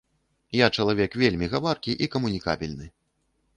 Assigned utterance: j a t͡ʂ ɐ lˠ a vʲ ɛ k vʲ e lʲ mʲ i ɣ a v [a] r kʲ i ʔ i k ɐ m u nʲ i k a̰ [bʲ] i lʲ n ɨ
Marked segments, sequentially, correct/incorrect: correct, correct

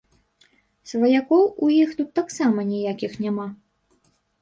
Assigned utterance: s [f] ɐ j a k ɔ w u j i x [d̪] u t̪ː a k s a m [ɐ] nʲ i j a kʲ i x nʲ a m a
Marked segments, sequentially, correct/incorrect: incorrect, incorrect, correct

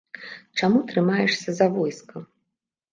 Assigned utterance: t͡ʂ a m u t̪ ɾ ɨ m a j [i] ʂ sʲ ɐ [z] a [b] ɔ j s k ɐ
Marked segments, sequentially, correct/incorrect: incorrect, correct, incorrect

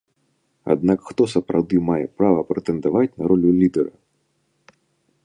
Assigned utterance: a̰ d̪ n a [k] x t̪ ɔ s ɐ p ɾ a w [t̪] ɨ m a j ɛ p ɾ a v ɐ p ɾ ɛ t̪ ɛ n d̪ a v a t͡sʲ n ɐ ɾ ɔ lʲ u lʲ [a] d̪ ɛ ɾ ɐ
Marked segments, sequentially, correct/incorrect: correct, incorrect, incorrect

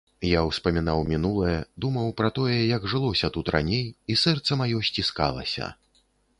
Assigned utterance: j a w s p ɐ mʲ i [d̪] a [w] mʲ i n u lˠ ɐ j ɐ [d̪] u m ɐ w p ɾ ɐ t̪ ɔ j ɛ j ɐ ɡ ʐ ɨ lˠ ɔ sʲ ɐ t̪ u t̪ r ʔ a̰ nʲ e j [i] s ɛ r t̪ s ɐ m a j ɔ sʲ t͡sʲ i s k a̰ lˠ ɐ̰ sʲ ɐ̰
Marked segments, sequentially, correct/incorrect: incorrect, correct, correct, correct

